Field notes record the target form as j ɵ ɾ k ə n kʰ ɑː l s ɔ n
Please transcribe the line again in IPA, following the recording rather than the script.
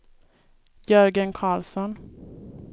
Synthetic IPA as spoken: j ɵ ɾ ɡ ə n kʰ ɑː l s ɔ n